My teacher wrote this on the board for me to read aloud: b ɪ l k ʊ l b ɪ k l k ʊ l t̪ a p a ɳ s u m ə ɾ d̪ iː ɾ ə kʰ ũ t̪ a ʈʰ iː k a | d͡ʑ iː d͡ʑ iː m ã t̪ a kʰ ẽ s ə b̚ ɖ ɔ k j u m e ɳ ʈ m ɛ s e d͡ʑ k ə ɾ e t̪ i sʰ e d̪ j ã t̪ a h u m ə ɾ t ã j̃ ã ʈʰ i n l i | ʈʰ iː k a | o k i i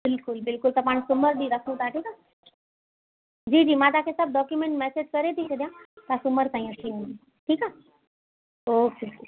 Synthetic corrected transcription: b ɪ l k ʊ l b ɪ l k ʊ l t̪ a p a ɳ s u m ə ɾ d̪ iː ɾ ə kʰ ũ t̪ a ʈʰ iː k a | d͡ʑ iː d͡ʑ iː m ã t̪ a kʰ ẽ s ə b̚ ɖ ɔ k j u m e ɳ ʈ m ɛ s e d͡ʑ k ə ɾ e t̪ i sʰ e d̪ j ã t̪ a s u m ə ɾ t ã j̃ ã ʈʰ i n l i | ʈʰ iː k a | o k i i